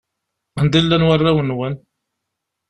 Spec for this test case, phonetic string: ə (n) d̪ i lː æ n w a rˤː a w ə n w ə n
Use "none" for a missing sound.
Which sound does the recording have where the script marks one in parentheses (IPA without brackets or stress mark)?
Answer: n